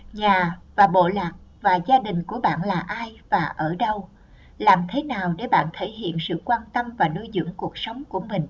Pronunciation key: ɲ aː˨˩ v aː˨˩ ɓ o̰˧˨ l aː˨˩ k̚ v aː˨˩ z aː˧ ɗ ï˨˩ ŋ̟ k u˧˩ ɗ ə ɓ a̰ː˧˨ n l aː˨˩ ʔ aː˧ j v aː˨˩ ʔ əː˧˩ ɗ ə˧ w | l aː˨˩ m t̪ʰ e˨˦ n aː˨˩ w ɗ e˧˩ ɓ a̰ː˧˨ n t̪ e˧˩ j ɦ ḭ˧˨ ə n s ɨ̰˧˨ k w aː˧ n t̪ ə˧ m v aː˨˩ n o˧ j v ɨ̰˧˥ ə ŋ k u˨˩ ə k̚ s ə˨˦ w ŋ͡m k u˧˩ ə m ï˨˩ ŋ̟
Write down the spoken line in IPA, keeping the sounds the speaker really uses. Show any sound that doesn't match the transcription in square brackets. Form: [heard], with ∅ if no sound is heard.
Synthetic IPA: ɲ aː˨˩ v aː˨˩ ɓ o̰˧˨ l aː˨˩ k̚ v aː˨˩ z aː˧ ɗ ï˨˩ ŋ̟ k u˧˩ [∅] ə ɓ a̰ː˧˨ n l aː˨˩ ʔ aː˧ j v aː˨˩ ʔ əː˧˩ ɗ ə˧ w | l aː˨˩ m t̪ʰ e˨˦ n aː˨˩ w ɗ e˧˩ ɓ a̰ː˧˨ n [t̪ʰ] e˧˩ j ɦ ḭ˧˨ ə n s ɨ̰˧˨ k w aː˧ n t̪ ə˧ m v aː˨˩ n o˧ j [z] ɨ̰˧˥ ə ŋ k u˨˩ ə k̚ s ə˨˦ w ŋ͡m k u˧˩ ə m ï˨˩ ŋ̟